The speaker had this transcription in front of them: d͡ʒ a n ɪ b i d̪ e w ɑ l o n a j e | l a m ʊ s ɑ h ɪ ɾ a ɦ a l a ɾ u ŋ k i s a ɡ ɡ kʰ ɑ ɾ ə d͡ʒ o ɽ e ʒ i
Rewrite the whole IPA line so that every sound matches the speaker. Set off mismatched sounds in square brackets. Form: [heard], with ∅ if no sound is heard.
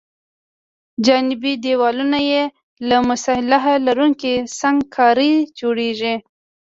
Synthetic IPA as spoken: d͡ʒ [ɑ] n ɪ b i d̪ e w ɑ l [u] n a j e | l a m ʊ s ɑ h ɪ [l] a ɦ a l a ɾ u ŋ k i s a [ŋ] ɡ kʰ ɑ ɾ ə d͡ʒ o ɽ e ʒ i